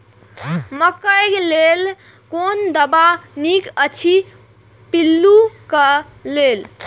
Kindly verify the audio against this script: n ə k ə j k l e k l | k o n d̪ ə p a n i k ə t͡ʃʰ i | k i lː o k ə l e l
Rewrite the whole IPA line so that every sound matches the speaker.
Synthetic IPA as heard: m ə k ə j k l e l | k o n d̪ ə b a n i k ə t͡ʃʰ i | p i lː u k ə l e l